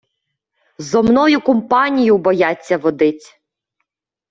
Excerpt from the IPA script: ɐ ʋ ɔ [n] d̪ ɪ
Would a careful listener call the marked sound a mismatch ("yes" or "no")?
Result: yes